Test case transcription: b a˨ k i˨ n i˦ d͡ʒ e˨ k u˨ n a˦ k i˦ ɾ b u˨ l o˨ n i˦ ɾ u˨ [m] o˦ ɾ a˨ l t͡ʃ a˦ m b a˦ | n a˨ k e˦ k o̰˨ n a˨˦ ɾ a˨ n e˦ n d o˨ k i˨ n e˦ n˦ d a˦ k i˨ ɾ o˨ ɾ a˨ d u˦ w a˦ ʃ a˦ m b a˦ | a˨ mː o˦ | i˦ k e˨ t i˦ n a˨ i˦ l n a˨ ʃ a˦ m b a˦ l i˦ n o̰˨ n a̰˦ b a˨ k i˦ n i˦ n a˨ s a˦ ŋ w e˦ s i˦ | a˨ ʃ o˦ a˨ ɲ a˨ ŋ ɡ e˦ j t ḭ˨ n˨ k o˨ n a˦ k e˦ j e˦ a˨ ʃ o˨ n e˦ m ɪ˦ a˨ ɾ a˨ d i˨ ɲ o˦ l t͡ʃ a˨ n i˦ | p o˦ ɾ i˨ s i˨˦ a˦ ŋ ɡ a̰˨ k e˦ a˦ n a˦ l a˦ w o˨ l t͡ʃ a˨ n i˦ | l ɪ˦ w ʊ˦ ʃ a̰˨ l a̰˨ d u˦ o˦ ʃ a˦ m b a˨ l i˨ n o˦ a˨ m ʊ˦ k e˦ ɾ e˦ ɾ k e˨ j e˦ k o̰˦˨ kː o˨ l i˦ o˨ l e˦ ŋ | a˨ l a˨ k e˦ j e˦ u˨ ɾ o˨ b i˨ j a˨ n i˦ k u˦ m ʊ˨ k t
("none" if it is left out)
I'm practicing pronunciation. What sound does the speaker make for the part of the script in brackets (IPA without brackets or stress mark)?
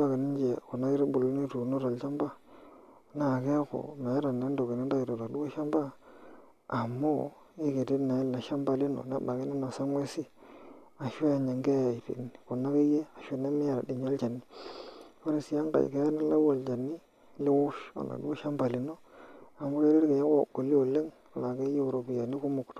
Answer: n